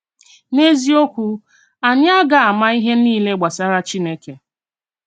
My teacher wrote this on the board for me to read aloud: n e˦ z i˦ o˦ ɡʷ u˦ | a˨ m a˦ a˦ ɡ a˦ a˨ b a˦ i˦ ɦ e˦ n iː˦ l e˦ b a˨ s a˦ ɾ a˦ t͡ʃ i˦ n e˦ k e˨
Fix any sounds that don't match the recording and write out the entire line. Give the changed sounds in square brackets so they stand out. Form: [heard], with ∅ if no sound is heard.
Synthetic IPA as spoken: n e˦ z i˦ o˦ [kʷ] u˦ | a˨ [ɲ] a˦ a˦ ɡ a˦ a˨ [m] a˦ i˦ ɦ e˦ n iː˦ l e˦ [ɡ͡b] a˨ s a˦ ɾ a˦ t͡ʃ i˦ n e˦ k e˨